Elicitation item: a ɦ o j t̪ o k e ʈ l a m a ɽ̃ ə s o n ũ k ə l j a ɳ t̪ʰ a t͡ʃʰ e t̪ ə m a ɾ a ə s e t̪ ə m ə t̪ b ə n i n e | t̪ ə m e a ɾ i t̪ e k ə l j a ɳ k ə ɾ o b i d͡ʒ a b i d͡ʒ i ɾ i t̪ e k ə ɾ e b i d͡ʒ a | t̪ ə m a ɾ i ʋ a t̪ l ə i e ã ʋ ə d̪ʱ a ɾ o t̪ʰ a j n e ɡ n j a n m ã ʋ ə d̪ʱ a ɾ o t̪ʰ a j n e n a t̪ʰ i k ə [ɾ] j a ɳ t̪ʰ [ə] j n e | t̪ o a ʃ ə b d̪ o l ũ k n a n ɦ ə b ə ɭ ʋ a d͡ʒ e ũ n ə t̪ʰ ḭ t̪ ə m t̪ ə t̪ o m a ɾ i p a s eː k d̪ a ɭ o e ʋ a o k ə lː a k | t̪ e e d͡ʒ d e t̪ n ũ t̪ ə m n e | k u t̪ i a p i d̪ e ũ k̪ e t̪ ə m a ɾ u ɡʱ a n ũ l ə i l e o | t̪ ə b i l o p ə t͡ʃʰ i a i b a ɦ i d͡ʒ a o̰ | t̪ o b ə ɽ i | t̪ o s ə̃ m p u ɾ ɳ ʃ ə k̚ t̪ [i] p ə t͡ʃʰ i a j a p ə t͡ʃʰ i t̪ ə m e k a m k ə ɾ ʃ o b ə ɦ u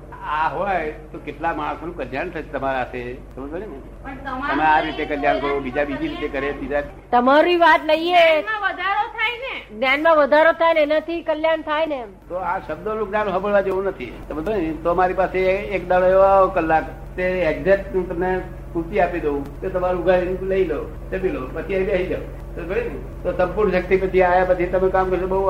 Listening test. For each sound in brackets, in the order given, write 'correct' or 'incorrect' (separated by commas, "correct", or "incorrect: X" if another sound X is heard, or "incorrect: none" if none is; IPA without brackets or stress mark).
incorrect: l, incorrect: a, correct